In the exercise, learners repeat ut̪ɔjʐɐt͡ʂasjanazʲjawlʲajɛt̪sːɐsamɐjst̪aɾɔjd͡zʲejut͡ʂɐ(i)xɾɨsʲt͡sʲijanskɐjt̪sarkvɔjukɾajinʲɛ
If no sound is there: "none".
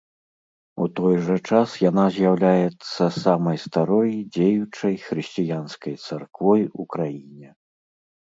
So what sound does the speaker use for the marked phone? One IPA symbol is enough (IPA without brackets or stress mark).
j